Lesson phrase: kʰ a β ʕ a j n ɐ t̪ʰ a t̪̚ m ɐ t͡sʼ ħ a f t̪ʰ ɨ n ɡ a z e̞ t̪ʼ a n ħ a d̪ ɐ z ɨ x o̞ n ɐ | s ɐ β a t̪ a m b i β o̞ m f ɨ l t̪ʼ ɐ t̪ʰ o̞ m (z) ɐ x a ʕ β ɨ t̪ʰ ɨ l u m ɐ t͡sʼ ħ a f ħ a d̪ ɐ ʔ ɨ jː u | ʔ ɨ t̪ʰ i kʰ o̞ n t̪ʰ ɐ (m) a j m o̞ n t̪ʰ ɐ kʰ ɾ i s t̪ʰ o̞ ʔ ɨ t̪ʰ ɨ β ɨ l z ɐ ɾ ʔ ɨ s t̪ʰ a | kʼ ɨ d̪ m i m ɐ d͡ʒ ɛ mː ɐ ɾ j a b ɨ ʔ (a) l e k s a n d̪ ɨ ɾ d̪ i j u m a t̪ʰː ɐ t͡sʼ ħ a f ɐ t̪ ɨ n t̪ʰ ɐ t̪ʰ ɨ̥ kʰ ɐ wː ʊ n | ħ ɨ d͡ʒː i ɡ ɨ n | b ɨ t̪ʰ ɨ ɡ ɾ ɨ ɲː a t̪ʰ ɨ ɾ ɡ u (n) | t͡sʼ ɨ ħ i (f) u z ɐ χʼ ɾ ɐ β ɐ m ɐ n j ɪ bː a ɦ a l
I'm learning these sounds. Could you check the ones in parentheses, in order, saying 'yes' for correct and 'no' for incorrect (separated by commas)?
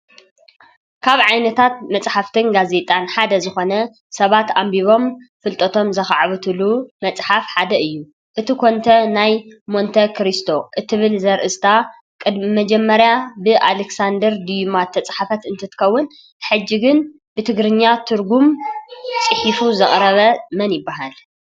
yes, no, yes, no, yes